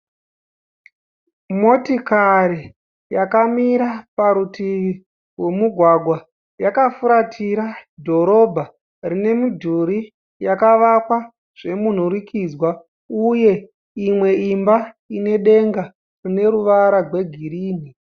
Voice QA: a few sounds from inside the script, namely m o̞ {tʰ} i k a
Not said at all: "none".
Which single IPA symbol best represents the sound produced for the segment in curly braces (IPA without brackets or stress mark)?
t